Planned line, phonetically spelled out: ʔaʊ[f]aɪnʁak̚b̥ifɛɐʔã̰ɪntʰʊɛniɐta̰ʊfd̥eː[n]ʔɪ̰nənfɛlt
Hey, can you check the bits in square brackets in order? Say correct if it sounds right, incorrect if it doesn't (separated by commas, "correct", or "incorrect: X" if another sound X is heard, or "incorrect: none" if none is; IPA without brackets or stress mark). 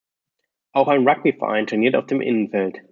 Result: incorrect: x, incorrect: m